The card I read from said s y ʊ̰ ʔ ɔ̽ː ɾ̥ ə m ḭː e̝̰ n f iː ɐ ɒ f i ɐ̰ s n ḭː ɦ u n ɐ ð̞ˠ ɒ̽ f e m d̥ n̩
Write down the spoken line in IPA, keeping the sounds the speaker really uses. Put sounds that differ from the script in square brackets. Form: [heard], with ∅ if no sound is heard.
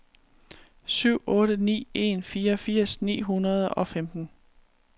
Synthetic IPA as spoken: s y ʊ̰ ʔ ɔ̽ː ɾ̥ ə [n] ḭː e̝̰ n f iː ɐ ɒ f i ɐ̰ s n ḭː ɦ u n ɐ ð̞ˠ ɒ̽ f e m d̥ n̩